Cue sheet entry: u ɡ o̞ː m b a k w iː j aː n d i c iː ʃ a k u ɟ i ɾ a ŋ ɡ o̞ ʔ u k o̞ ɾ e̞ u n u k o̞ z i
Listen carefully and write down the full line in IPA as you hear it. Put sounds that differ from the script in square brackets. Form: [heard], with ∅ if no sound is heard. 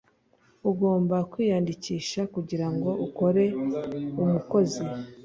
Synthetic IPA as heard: u ɡ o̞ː m b a k w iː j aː n d i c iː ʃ a k u ɟ i ɾ a ŋ ɡ o̞ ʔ u k o̞ ɾ e̞ u [m] u k o̞ z i

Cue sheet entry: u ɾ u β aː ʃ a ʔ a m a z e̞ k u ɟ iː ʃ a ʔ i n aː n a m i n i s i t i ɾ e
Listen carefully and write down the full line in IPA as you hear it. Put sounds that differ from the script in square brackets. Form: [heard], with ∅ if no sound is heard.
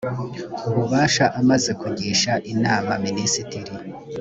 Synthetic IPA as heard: u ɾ u β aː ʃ a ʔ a m a z e̞ k u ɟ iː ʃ a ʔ i n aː [m] a m i n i s i t i ɾ [i]

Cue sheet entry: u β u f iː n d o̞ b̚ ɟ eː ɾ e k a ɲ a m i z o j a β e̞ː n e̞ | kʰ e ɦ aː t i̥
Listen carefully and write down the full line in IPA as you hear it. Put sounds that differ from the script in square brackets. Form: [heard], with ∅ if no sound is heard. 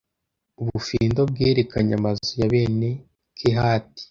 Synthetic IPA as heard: u β u f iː n d o̞ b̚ [ɡ] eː ɾ e k a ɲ a m [a] z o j a β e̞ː n e̞ | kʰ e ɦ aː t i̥

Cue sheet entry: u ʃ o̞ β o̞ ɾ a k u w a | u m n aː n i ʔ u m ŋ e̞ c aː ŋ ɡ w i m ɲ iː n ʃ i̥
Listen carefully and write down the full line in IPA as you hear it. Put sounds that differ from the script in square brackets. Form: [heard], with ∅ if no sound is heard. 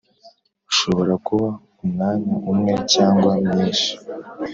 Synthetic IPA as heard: u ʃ o̞ β o̞ ɾ a k u [β] a | u m n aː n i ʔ u m ŋ e̞ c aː ŋ ɡ w [a] m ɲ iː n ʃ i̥

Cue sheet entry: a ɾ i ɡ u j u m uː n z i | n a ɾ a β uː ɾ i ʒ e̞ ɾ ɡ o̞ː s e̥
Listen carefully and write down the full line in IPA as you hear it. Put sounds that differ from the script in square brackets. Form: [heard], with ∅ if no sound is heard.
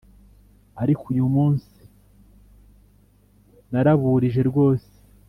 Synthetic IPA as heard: a ɾ i [k] u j u m uː n [s] i | n a ɾ a β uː ɾ i ʒ e̞ ɾ ɡ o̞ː s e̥

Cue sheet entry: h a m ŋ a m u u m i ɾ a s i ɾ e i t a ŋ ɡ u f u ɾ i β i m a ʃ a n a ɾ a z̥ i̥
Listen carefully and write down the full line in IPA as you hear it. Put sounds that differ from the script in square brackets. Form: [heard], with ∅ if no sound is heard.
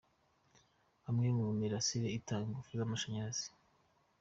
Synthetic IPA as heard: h a m ŋ [e] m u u m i ɾ a s i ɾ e i t a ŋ ɡ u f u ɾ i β [a] m a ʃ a [ɲ] a ɾ a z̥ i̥

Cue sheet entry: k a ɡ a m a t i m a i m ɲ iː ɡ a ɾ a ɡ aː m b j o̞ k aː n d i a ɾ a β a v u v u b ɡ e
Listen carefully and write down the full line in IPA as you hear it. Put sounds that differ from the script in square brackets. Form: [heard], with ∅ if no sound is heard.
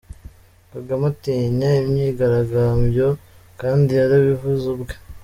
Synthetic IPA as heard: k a ɡ a m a t i [ɲ] a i m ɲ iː ɡ a ɾ a ɡ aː m b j o̞ k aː n d i a ɾ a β [i] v u [z] u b ɡ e

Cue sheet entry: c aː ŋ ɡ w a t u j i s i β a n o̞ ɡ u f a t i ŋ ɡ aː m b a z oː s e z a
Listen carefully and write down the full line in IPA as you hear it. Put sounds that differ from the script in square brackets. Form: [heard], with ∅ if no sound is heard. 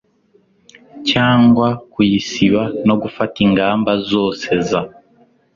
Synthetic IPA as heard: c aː ŋ ɡ w a [k] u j i s i β a n o̞ ɡ u f a t i ŋ ɡ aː m b a z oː s e z a

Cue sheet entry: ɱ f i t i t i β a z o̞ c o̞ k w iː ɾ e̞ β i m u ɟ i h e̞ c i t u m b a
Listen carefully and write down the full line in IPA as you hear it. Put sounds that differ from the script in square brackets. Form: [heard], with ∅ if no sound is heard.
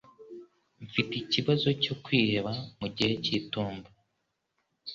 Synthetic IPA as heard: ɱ f i t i [c] i β a z o̞ c o̞ k w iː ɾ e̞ β [a] m u ɟ i h e̞ c i t [uː] m b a

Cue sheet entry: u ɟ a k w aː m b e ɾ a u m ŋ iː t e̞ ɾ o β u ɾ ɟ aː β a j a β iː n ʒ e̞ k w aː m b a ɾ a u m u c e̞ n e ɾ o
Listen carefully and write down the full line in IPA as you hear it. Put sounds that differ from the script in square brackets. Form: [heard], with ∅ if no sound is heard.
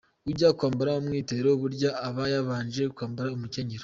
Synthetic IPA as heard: u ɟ a k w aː m b [a] ɾ a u m ŋ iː t e̞ ɾ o β u ɾ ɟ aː β a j a β [aː] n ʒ e̞ k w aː m b a ɾ a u m u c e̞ [ɲ] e ɾ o

